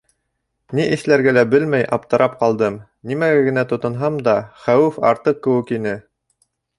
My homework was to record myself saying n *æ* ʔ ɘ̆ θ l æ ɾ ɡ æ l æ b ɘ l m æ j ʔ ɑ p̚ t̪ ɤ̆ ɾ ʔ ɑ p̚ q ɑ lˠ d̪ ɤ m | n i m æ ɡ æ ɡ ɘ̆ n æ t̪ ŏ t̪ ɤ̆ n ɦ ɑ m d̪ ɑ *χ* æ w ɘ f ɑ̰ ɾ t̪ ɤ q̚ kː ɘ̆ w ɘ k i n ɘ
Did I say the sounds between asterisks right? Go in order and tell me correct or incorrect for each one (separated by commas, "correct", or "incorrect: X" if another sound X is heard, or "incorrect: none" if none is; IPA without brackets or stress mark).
incorrect: i, correct